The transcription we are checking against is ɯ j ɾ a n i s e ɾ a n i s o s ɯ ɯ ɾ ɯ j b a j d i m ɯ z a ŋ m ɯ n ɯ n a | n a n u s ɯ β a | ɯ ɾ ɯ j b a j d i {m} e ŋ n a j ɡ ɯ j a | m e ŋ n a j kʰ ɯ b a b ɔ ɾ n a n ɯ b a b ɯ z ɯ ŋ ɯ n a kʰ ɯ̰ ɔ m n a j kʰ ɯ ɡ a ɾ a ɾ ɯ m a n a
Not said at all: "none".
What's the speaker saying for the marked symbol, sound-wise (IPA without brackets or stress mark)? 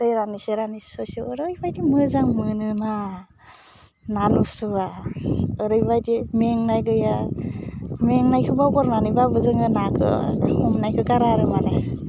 m